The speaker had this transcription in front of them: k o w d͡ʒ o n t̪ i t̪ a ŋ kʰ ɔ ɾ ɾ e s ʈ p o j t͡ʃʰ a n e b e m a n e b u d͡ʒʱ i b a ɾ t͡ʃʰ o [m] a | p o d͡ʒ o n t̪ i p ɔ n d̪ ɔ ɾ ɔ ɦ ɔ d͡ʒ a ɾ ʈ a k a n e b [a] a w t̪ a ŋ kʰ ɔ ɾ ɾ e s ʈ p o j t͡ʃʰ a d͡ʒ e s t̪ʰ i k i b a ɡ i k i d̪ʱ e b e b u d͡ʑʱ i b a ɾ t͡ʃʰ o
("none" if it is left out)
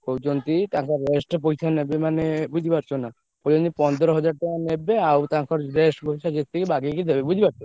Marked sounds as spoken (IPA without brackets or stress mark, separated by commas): n, e